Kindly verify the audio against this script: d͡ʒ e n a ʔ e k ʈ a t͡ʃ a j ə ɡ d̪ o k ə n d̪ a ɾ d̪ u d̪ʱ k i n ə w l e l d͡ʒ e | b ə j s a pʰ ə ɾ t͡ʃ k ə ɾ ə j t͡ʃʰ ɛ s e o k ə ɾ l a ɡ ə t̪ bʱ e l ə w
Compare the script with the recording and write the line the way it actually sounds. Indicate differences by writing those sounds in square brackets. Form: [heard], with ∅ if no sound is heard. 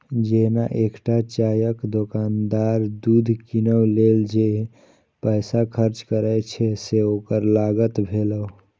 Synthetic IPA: d͡ʒ e n a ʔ e k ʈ a t͡ʃ a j ə [k] d̪ o k [a] n d̪ a ɾ d̪ u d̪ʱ k i n ə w l e l d͡ʒ e | [p] ə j s a [kʰ] ə ɾ t͡ʃ k ə ɾ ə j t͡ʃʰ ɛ s e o k ə ɾ l a ɡ ə t̪ bʱ e l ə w